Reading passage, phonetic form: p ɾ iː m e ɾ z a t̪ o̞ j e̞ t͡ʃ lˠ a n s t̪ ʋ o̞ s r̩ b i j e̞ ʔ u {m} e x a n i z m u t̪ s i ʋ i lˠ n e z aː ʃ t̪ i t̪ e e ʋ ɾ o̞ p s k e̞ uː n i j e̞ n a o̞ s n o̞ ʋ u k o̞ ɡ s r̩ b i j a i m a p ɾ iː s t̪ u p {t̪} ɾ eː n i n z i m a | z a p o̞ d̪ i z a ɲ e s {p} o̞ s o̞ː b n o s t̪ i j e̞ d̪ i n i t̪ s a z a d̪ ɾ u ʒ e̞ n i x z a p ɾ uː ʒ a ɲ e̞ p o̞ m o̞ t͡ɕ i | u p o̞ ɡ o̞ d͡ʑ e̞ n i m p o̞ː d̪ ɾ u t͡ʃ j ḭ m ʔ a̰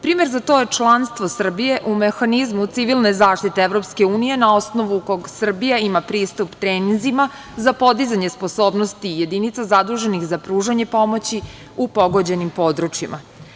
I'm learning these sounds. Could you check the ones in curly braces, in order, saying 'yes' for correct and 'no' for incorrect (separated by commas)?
yes, yes, yes